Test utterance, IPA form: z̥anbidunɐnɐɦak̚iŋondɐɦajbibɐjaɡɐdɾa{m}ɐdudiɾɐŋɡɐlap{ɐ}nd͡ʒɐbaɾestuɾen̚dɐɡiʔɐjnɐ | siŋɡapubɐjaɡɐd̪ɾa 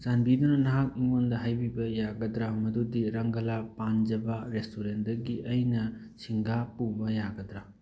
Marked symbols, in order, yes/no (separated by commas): yes, no